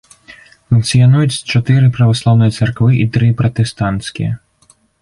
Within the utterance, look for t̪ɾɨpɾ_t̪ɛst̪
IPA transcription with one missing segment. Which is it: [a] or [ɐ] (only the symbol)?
ɐ